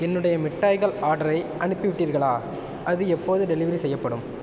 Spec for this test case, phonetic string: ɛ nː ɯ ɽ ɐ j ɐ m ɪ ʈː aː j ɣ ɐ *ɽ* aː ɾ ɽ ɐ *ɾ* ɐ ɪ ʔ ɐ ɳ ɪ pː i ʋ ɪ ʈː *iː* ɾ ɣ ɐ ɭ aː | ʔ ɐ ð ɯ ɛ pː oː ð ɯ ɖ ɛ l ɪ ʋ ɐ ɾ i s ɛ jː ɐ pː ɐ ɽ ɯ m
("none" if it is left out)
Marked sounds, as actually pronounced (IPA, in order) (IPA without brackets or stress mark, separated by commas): ɭ, ɾ, iː